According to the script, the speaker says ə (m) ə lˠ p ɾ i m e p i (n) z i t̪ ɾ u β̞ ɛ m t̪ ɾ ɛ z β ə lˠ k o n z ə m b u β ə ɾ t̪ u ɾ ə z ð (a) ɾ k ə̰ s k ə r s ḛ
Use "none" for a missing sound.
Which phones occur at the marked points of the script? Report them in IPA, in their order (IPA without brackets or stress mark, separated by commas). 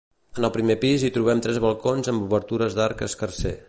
n, none, a